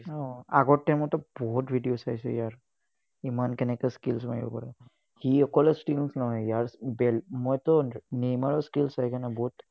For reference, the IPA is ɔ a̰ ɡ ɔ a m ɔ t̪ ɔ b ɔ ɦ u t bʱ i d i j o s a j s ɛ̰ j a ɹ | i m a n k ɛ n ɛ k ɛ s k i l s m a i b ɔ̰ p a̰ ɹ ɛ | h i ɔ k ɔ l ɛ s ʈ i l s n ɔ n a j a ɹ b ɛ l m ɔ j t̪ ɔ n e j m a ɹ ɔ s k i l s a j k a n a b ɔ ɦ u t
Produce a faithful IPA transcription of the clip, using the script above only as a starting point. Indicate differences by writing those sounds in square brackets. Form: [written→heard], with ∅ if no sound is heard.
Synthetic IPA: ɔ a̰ ɡ ɔ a m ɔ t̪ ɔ b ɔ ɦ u t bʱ i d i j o s a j s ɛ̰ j a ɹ | i m a n k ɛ n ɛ k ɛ s k i l s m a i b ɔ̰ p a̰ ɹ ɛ | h i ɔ k ɔ l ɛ s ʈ i l s n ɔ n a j a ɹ b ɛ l m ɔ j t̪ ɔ n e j m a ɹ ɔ s k i l s a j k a n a b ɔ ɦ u t

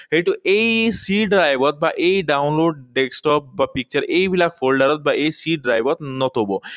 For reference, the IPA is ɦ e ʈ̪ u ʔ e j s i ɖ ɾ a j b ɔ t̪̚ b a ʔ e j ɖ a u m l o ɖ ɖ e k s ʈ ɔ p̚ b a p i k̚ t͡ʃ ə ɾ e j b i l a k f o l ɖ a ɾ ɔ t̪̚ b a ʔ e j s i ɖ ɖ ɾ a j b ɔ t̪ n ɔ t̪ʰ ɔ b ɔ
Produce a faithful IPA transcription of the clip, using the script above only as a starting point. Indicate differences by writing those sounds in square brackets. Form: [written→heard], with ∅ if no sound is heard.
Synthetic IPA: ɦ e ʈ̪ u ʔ e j s i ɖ ɾ a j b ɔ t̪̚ b a ʔ e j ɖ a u [m→n] l o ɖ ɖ e k s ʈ ɔ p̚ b a p i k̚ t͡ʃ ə ɾ e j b i l a k f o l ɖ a ɾ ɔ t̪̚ b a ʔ e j s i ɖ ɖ ɾ a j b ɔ t̪ n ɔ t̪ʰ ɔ b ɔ

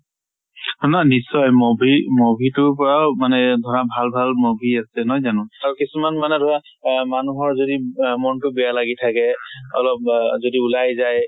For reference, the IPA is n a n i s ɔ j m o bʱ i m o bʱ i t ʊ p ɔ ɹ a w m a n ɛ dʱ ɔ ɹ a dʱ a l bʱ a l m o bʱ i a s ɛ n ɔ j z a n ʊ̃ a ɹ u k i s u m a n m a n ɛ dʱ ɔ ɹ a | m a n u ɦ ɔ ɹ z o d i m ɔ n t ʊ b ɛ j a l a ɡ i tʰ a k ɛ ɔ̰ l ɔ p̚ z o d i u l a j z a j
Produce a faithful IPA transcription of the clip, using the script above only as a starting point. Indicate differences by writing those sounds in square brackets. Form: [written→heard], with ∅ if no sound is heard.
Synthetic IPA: n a n i s ɔ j m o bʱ i m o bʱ i t ʊ p ɔ ɹ a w m a n ɛ dʱ ɔ ɹ a [dʱ→bʱ] a l bʱ a l m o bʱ i a s ɛ n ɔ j z a n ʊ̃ a ɹ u k i s u m a n m a n ɛ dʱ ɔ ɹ a | m a n u ɦ ɔ ɹ z o d i m ɔ n t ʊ b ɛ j a l a ɡ i tʰ a k ɛ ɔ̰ l ɔ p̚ z o d i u l a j z a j

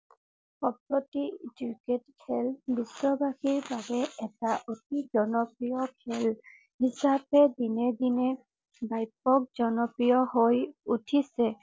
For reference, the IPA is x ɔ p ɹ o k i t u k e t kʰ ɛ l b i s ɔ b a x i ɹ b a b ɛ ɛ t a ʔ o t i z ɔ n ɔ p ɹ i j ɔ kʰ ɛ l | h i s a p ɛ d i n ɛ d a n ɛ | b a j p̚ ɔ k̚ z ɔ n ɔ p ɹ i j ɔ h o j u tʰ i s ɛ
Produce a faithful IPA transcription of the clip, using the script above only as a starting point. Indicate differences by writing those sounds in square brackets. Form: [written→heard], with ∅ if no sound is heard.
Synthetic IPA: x ɔ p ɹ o [k→t] i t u k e t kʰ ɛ l b i s ɔ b a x i ɹ b a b ɛ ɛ t a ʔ o t i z ɔ n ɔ p ɹ i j ɔ kʰ ɛ l | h i s a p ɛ d i n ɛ d [a→i] n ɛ | b a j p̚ ɔ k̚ z ɔ n ɔ p ɹ i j ɔ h o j u tʰ i s ɛ

